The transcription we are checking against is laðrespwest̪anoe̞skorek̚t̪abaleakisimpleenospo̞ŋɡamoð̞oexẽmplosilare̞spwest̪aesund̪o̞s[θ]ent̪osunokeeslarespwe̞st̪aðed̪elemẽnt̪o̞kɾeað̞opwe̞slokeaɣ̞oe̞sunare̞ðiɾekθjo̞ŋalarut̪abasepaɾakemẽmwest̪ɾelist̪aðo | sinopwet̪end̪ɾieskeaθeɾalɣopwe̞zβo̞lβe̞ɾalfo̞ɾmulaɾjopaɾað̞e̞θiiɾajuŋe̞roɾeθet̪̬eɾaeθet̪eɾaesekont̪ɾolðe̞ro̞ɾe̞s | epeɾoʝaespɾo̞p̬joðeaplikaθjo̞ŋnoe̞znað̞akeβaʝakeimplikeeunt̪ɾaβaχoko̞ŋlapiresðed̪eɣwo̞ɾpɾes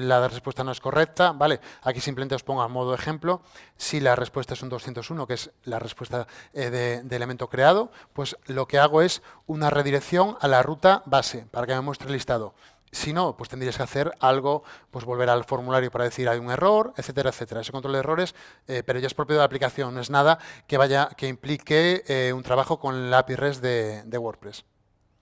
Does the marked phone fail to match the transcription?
no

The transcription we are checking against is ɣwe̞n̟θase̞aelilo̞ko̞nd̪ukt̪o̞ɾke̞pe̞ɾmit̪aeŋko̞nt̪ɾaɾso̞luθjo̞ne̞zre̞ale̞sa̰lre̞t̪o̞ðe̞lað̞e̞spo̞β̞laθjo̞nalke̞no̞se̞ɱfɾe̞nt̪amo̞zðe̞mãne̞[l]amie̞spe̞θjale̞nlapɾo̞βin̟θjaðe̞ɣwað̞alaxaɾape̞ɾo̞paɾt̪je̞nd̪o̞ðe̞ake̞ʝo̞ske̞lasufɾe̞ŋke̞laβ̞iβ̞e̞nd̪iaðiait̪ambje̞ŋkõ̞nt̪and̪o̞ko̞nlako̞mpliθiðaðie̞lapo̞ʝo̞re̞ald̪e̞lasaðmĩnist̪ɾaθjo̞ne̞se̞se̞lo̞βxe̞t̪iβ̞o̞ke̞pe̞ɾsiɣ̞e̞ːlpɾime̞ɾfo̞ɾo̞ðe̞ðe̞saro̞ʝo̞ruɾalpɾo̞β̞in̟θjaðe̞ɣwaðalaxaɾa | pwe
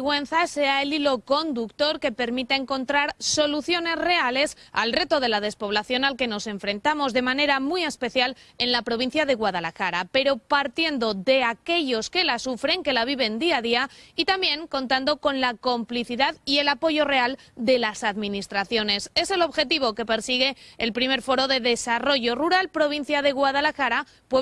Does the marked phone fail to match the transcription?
yes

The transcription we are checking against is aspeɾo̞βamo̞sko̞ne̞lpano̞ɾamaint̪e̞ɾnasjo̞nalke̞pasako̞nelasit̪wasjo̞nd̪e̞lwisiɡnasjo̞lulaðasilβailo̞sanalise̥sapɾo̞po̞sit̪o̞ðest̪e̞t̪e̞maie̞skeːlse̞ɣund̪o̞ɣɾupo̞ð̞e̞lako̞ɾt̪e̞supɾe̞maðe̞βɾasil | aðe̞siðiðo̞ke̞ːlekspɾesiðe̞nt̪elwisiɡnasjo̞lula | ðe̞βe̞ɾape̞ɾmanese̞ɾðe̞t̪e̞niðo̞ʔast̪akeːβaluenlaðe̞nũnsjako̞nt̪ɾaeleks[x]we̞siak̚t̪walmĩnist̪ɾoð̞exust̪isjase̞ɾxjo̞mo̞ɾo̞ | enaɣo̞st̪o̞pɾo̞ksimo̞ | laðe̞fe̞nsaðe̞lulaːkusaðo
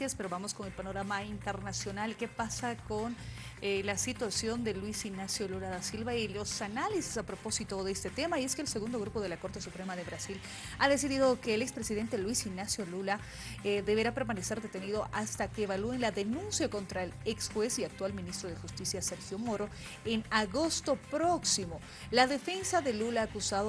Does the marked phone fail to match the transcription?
no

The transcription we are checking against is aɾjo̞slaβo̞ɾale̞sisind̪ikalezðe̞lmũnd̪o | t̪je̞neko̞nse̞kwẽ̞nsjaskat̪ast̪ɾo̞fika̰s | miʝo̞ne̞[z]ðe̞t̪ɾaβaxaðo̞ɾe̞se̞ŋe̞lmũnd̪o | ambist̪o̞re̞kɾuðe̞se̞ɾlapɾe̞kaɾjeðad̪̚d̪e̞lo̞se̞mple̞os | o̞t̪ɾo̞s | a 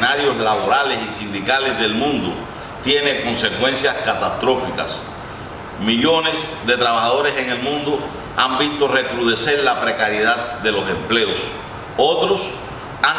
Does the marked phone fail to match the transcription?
yes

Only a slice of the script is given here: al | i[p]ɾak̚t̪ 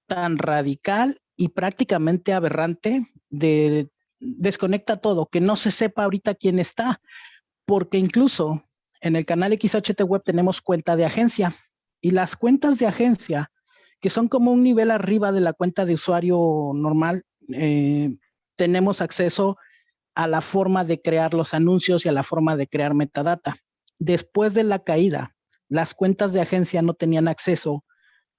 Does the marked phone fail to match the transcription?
no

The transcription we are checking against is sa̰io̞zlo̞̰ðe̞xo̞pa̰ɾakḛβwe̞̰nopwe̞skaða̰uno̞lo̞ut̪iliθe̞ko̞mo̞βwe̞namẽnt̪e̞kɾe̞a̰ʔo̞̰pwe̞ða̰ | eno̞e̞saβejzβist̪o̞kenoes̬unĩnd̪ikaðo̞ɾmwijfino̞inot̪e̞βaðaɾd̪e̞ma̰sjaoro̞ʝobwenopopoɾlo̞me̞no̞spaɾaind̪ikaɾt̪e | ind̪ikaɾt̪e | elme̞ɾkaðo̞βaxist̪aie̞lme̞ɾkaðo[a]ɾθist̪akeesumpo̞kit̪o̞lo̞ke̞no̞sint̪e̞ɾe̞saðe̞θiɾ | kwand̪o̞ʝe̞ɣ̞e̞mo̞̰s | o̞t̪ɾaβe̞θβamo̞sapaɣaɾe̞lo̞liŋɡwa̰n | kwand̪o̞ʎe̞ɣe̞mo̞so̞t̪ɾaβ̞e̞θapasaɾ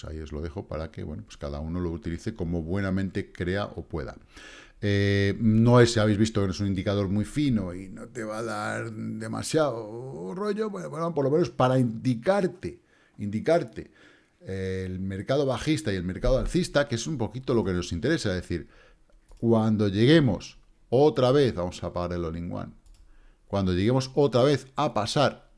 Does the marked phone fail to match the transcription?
no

